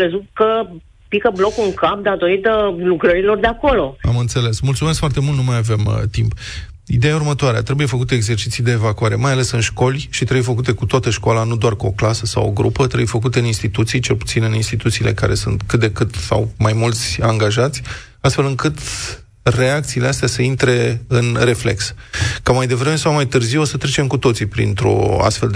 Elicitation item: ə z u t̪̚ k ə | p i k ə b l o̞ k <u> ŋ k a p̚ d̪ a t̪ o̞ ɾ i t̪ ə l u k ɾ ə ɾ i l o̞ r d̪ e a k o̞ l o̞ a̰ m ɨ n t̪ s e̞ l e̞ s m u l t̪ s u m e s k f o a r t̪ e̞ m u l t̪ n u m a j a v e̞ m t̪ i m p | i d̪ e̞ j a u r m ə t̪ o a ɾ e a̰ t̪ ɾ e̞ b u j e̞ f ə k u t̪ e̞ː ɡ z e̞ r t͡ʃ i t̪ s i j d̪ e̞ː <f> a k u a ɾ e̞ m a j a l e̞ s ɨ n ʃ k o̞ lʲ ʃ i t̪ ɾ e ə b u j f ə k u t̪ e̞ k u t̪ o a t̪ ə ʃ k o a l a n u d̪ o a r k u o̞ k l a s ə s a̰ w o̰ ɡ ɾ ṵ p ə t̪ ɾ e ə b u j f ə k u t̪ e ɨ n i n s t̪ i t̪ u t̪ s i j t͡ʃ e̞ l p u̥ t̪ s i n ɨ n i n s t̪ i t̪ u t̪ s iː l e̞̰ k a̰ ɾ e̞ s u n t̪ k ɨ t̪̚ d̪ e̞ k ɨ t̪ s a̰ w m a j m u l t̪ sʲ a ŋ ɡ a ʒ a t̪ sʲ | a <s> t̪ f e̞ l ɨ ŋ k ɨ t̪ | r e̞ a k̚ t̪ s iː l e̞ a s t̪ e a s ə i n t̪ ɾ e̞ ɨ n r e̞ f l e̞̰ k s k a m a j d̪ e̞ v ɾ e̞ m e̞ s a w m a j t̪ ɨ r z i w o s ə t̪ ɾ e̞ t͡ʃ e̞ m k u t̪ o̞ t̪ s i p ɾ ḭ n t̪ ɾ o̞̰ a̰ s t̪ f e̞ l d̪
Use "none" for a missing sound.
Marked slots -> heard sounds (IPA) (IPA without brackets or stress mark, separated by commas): u, v, s